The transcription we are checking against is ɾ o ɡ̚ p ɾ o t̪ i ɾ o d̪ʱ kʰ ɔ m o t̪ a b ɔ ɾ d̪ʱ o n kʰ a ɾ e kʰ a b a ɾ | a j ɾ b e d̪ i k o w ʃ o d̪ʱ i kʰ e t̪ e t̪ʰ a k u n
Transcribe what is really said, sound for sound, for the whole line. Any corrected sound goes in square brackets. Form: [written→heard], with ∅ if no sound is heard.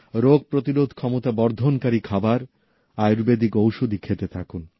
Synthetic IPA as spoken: ɾ o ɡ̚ p ɾ o t̪ i ɾ o d̪ʱ kʰ ɔ m o t̪ a b ɔ ɾ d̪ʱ o n [kʰ→k] a ɾ [e→i] kʰ a b a ɾ | a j ɾ b e d̪ i k o w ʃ o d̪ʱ i kʰ e t̪ e t̪ʰ a k u n